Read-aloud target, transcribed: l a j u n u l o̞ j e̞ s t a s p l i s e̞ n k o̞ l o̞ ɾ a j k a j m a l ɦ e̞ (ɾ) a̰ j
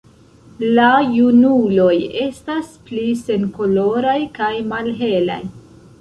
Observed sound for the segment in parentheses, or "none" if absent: l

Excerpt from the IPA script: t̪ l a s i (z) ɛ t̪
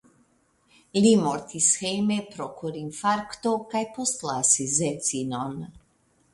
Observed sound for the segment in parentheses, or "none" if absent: z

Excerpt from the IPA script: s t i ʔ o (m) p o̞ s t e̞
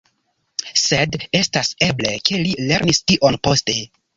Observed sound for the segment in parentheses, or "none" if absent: n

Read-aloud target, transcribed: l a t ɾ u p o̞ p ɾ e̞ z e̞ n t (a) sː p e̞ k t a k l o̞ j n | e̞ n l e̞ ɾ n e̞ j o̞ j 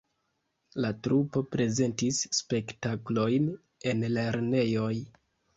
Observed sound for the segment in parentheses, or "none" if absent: i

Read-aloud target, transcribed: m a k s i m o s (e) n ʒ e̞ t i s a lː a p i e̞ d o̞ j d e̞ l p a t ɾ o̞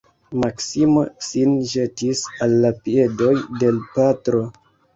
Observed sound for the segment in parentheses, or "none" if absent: i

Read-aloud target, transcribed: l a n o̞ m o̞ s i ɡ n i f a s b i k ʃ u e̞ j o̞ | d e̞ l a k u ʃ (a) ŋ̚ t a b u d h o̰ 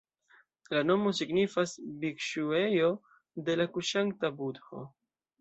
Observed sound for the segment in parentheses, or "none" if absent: a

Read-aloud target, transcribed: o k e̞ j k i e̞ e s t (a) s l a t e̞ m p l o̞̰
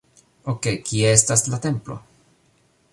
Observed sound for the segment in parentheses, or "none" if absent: a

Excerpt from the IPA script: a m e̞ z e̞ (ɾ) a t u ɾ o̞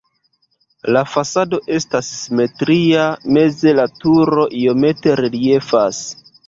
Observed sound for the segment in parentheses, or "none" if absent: l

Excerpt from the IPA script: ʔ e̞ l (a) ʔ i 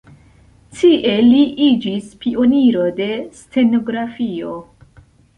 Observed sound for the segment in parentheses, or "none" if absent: i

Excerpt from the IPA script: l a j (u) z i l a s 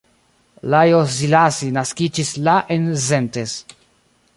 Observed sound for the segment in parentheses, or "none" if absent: o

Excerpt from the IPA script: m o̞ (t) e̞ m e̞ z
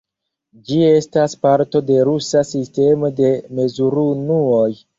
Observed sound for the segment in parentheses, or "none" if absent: d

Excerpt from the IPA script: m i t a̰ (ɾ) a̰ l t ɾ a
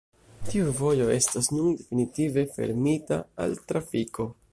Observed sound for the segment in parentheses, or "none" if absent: none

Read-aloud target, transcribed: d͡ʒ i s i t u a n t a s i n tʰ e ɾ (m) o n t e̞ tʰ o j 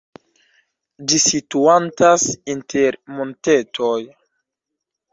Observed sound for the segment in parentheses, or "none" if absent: m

